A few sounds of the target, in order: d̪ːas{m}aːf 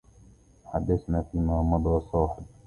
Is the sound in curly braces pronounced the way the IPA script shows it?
no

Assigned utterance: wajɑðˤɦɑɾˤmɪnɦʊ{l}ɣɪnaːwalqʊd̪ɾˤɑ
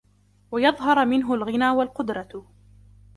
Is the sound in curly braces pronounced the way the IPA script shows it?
yes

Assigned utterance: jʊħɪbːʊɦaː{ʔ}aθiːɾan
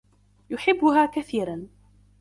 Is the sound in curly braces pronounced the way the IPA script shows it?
no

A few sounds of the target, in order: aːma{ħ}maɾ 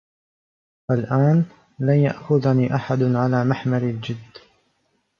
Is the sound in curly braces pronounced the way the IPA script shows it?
yes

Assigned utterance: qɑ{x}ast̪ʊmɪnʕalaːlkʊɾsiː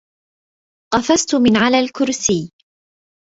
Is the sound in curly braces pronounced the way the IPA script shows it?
no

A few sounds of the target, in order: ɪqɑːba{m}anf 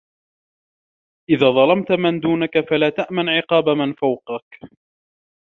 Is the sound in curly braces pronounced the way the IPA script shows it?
yes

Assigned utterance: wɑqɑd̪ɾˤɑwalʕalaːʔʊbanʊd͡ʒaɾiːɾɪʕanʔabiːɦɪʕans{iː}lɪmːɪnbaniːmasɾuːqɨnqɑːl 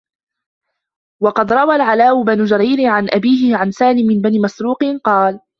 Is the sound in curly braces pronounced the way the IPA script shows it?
no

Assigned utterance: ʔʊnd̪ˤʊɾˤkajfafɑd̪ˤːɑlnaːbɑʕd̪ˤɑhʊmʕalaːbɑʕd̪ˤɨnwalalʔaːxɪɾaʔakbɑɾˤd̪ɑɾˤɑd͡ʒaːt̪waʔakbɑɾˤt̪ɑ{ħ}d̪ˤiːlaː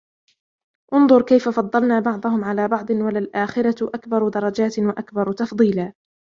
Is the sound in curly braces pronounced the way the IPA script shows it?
no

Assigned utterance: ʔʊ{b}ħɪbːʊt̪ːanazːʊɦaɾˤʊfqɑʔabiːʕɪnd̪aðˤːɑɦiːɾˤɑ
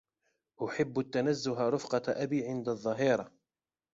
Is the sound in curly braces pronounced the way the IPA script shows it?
no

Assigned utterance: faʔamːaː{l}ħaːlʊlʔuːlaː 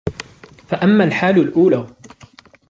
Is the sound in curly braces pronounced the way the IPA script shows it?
yes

